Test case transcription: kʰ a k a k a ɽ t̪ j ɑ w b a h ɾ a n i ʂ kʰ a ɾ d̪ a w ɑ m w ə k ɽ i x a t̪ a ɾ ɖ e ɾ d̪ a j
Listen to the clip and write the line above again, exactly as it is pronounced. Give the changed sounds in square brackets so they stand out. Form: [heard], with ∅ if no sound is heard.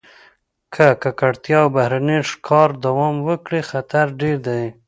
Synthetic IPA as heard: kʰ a k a k a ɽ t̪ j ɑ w b a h ɾ a n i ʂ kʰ [ɑ] ɾ d̪ a w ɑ m w ə k ɽ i x a t̪ a ɾ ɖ e ɾ d̪ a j